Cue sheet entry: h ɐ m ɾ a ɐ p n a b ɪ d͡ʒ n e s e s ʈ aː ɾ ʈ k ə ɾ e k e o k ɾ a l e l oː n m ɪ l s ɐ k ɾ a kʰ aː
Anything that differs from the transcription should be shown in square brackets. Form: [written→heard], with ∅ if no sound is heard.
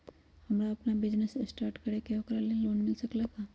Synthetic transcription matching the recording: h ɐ m ɾ a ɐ p n a b ɪ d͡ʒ n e s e s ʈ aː ɾ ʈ k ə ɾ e k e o k ɾ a l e l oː n m ɪ l s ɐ k [ɾ→l] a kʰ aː